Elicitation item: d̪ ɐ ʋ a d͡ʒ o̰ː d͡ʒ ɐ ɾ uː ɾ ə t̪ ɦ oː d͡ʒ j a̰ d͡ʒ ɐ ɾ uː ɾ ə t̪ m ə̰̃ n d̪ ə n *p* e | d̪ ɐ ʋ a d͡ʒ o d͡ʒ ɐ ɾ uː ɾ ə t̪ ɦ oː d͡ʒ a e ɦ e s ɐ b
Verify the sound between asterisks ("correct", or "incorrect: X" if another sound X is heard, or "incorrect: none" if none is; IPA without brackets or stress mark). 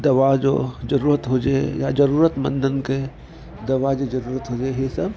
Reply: incorrect: k